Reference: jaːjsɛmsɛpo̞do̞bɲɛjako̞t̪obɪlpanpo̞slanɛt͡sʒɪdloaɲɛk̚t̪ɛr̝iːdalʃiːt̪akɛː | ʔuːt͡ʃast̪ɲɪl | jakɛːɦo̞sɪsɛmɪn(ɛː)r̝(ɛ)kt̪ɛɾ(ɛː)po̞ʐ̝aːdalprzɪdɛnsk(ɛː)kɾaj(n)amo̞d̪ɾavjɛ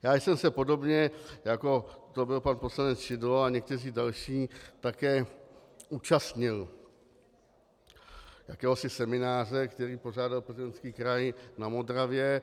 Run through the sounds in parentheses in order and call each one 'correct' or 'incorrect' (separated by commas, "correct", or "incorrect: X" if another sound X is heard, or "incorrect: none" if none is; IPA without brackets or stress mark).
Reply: incorrect: aː, correct, incorrect: iː, incorrect: iː, correct